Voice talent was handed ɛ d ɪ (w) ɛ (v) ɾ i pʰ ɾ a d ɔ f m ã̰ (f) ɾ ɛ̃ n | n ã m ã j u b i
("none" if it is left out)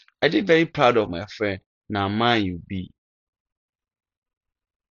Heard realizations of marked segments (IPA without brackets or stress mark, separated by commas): v, none, f